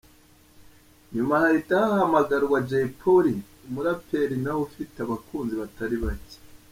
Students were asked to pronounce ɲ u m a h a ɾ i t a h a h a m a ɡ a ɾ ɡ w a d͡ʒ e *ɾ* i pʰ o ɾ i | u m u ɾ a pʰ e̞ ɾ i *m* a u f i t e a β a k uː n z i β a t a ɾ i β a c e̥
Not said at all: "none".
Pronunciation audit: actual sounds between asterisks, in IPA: none, n

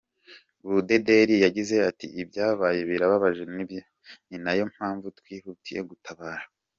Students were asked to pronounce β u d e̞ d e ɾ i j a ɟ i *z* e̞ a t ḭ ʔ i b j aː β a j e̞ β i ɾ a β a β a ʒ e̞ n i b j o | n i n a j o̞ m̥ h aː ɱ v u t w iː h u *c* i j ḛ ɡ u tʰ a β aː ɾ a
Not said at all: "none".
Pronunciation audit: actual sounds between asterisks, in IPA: z, t

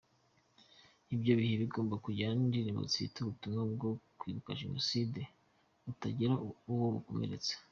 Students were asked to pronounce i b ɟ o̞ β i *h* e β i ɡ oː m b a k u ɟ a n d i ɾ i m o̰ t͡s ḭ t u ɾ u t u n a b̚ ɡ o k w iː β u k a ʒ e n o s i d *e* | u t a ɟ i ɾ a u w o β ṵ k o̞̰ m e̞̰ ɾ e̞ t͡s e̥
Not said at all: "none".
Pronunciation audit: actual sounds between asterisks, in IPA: h, e

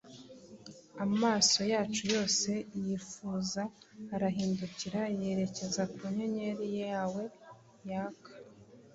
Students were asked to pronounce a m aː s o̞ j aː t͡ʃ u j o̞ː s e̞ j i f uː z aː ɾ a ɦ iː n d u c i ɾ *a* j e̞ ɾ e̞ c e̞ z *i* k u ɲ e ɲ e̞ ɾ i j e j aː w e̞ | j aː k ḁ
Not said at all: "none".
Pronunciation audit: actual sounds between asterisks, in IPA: a, a

